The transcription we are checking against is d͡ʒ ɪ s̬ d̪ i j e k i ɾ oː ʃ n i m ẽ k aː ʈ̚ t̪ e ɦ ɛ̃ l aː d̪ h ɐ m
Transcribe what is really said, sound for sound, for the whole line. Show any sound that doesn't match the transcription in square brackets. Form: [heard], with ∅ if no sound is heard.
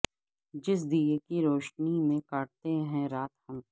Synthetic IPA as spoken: d͡ʒ ɪ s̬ d̪ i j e k i ɾ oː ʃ n i m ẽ k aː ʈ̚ t̪ e ɦ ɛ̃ [ɾ] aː [t̪] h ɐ m